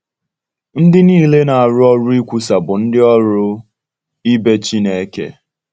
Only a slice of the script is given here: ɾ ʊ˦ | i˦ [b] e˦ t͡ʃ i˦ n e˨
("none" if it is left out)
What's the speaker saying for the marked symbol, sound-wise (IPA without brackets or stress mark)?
b